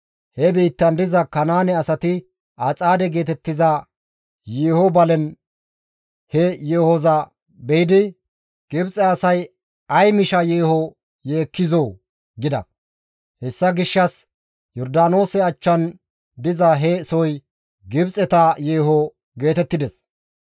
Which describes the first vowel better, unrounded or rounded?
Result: unrounded